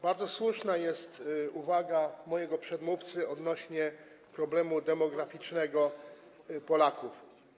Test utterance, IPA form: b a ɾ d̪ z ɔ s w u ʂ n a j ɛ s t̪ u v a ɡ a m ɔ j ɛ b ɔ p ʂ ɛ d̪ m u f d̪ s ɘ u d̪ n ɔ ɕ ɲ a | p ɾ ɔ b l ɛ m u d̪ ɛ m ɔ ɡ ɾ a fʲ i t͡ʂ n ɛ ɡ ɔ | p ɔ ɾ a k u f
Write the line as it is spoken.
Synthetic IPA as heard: b a ɾ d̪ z ɔ s w u ʂ n a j ɛ s t̪ u v a ɡ a m ɔ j ɛ ɡ ɔ p ʂ ɛ d̪ m u f t̪ s ɘ ɔ d̪ n ɔ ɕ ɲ ɛ | p ɾ ɔ b l ɛ m u d̪ ɛ m ɔ ɡ ɾ a fʲ i t͡ʂ n ɛ ɡ ɔ | p ɔ l a k u f